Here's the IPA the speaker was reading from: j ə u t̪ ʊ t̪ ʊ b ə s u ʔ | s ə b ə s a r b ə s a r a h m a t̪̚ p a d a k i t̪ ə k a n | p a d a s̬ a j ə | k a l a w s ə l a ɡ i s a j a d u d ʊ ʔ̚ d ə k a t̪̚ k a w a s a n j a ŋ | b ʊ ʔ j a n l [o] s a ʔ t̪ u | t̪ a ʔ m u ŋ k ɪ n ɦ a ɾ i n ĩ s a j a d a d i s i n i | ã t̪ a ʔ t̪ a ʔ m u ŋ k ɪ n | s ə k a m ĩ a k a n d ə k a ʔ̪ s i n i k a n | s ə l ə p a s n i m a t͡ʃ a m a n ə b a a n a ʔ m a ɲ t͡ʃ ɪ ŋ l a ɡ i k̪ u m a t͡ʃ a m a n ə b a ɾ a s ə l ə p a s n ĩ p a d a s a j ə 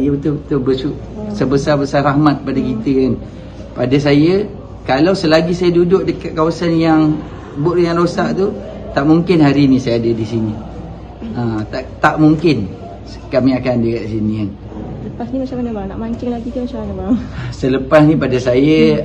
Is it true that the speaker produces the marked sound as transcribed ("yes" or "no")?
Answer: yes